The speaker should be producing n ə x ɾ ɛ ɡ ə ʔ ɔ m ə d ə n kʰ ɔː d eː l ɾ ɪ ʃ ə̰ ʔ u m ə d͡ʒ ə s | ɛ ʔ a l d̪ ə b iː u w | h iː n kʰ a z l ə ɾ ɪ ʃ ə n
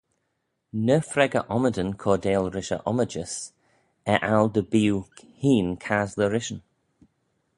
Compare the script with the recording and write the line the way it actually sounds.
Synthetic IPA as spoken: n ə f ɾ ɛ ɡ ə ʔ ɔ m ə d ə n kʰ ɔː d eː l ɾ ɪ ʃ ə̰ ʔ ɔ m ə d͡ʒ ə s | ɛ ʔ a l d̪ ə b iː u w | h iː n kʰ a z l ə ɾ ɪ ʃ ə n